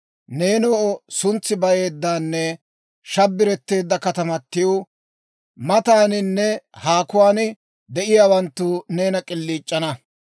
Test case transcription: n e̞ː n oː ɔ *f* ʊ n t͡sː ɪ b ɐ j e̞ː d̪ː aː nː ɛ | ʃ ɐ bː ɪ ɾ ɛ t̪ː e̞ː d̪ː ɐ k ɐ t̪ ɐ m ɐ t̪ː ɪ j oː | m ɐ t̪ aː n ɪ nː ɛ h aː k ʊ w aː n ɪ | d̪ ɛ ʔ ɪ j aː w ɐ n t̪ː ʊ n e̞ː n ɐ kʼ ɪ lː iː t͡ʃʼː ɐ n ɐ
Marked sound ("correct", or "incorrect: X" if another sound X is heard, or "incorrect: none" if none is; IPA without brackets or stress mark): incorrect: s